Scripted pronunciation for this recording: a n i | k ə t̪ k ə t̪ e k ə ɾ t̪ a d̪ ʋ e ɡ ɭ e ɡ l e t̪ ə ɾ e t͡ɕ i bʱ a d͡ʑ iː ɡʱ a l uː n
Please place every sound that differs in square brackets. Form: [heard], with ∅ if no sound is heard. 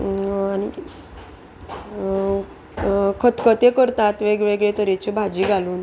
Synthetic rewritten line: a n i | [kʰ] ə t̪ k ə t̪ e k ə ɾ t̪ a [t̪] ʋ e ɡ ɭ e ɡ [ɭ] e t̪ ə ɾ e t͡ɕ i bʱ a d͡ʑ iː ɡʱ a l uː n